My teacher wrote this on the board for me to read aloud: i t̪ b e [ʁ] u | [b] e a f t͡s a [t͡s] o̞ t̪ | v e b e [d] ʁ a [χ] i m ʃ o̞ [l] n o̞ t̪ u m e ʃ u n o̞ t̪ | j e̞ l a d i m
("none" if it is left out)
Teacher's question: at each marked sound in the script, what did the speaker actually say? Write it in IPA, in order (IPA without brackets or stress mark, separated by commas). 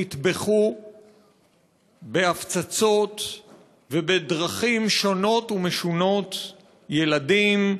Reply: χ, b, t͡s, d, χ, none